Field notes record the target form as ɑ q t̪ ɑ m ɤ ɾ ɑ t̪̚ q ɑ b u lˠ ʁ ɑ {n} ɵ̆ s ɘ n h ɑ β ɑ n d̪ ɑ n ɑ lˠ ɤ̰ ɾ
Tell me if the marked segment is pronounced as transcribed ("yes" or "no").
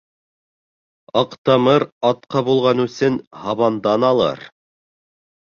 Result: yes